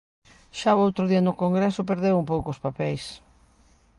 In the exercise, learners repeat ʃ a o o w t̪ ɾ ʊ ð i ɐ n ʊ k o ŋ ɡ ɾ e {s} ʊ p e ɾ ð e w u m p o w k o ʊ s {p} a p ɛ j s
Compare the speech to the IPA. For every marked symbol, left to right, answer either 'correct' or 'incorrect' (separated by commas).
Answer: correct, correct